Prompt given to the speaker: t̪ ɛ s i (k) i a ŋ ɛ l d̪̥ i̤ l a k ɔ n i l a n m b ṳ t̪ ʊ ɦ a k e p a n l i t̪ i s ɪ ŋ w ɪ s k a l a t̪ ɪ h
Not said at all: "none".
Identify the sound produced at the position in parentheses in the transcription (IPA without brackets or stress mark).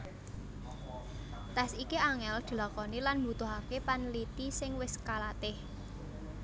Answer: k